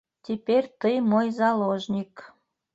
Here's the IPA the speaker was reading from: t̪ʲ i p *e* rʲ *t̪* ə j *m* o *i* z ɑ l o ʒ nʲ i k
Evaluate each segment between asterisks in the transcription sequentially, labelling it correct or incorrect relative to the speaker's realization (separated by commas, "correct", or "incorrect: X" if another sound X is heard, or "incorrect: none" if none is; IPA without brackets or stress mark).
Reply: correct, correct, correct, incorrect: j